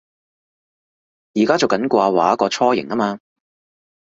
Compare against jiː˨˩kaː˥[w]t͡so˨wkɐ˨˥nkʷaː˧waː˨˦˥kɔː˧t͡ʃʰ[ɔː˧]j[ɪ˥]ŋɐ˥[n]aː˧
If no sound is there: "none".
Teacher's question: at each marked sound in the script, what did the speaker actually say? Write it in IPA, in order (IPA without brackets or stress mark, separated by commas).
none, ɔː˥, ɪ˨˩, m